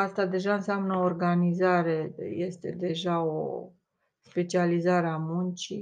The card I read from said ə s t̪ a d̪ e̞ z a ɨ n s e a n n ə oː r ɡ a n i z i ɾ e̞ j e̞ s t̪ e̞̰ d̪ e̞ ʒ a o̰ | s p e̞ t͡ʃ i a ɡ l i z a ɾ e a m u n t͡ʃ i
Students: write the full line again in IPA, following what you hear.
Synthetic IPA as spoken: a s t̪ a d̪ e̞ ʒ a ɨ n s e a m n ə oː r ɡ a n i z a ɾ e̞ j e̞ s t̪ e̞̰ d̪ e̞ ʒ a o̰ | s p e̞ t͡ʃ i a l i z a ɾ e a m u n t͡ʃ i